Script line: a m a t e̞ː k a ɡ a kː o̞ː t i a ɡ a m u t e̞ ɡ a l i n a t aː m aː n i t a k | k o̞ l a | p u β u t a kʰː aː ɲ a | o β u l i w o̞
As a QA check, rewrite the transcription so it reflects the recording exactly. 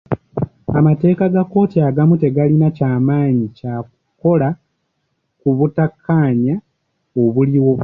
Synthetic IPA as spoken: a m a t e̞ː k a ɡ a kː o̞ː t i a ɡ a m u t e̞ ɡ a l i n a c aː m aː ɲ i c a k | k o̞ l a | k u β u t a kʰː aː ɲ a | o β u l i w o̞